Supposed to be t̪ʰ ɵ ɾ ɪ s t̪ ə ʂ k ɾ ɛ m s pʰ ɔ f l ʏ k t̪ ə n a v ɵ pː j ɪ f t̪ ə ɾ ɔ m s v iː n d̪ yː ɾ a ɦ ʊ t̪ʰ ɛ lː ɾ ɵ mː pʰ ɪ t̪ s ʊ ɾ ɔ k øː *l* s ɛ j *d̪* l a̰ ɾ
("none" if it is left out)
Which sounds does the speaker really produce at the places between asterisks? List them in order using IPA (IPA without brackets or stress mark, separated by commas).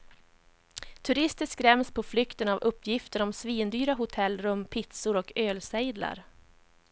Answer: l, d̪